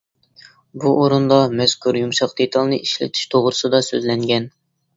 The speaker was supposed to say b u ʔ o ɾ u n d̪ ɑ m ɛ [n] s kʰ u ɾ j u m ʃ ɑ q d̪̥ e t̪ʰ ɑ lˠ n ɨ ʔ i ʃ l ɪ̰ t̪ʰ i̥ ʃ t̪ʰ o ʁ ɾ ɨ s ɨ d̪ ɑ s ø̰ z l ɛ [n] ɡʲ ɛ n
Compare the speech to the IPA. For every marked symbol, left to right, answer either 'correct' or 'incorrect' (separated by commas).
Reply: incorrect, incorrect